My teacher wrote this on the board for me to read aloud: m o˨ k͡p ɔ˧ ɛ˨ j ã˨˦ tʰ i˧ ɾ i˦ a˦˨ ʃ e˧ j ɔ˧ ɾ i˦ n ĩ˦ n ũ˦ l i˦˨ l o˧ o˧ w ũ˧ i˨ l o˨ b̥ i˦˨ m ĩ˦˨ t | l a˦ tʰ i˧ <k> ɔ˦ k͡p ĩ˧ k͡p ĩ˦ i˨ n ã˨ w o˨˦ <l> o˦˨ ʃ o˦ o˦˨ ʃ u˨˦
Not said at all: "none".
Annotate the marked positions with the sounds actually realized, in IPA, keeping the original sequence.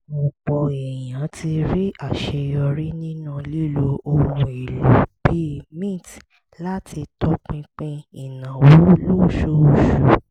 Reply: t, l

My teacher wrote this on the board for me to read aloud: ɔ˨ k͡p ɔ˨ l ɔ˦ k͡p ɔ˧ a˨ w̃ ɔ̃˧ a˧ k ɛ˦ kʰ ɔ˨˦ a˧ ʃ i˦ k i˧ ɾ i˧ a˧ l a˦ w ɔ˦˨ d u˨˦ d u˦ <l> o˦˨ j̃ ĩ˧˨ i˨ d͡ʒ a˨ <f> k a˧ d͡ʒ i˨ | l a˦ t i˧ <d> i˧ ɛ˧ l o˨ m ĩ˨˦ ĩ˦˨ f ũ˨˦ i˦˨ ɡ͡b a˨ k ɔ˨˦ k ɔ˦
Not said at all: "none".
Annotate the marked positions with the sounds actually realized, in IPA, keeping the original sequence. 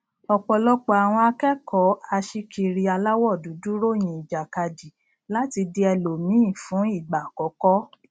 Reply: ɾ, none, d

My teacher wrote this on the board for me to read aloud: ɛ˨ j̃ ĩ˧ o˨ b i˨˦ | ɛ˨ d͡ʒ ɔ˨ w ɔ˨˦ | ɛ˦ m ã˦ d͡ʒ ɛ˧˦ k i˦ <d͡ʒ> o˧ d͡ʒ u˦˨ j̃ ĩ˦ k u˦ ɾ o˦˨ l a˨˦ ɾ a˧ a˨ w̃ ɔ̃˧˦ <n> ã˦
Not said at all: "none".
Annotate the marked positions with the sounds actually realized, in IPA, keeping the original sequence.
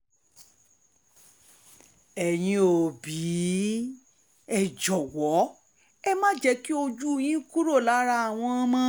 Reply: none, m

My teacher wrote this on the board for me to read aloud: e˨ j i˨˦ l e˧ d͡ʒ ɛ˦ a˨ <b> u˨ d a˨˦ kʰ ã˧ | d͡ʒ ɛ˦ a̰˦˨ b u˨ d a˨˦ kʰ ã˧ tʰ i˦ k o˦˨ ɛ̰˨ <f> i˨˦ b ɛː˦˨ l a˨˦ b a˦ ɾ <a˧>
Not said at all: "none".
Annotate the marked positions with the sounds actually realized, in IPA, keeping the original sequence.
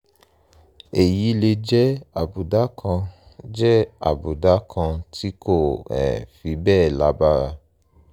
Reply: b, f, a˧

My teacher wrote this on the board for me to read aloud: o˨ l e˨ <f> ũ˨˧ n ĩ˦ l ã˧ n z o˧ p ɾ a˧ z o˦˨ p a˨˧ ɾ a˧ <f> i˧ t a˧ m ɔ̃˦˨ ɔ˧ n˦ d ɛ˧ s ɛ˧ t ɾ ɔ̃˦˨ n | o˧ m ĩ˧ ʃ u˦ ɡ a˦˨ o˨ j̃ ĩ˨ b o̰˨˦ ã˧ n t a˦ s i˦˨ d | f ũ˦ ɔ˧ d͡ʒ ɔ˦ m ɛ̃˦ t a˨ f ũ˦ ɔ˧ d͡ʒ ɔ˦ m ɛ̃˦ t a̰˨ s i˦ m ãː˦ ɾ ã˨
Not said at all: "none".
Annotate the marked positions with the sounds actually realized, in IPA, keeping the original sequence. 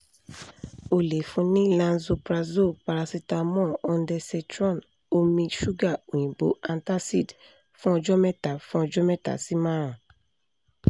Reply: f, s

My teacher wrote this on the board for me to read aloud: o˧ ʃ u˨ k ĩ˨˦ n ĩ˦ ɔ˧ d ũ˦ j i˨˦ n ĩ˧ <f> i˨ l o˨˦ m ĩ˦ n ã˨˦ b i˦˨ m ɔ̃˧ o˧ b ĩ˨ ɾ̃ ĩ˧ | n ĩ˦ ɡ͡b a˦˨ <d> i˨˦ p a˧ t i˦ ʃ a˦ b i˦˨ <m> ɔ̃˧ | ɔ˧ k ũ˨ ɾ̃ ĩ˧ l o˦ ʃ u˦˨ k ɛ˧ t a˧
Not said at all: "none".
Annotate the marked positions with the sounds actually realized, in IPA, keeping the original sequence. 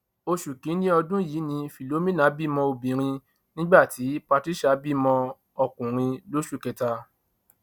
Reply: f, t, m

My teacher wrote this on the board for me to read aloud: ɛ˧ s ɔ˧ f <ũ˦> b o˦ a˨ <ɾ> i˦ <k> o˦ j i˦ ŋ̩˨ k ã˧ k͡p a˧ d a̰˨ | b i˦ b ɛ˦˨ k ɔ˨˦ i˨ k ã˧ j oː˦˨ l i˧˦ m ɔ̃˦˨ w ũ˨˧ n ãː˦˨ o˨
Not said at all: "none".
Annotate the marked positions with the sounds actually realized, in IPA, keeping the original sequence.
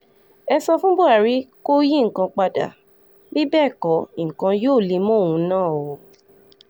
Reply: ũ˦, ɾ, k

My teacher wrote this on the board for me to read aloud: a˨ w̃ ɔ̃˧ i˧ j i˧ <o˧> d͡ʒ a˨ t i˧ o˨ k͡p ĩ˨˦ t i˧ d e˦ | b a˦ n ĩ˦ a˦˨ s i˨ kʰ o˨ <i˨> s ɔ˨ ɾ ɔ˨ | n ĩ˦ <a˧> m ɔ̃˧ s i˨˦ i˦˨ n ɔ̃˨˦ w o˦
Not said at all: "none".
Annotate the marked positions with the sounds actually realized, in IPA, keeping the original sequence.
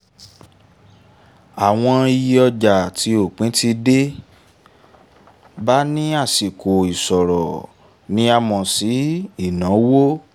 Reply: ɔ˧, i˨, a˧

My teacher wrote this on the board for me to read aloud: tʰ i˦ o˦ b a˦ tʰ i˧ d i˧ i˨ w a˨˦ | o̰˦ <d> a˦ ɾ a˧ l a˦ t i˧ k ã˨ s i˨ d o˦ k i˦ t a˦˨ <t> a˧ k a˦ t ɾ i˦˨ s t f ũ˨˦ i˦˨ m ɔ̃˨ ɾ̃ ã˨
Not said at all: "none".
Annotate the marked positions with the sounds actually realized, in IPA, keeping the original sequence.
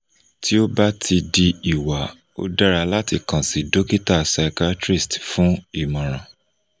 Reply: d, s

